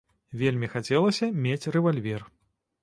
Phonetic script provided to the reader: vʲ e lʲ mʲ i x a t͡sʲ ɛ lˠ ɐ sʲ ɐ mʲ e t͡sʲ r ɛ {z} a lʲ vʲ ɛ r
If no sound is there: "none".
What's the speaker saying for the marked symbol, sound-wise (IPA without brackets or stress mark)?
v